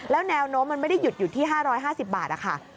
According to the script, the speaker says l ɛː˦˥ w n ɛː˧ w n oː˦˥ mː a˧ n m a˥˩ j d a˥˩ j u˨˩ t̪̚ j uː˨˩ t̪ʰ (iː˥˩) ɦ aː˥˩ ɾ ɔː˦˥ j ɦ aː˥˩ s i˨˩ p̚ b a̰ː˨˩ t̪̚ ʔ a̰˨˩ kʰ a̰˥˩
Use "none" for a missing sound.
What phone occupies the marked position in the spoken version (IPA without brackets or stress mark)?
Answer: iː˥˩